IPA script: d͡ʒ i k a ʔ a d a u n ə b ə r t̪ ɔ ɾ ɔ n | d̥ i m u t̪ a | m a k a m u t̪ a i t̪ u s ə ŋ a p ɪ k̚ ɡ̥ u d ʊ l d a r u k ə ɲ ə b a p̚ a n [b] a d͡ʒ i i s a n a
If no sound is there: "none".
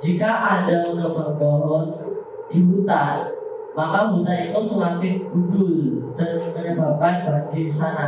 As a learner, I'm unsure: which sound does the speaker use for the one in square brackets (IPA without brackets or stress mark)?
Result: b